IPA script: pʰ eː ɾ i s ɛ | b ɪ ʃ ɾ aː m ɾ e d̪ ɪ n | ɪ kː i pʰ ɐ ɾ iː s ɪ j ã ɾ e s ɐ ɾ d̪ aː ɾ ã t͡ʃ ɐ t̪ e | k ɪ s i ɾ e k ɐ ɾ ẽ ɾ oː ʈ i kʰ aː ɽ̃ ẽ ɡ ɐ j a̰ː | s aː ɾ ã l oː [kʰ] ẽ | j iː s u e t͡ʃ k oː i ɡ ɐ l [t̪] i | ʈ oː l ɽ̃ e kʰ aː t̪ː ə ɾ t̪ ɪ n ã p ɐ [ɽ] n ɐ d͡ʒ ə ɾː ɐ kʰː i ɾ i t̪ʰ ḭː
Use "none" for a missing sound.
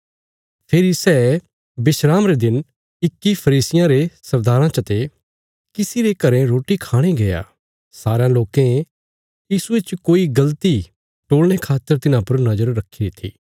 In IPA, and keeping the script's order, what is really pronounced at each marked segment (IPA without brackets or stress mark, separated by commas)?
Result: k, t̪, ɾ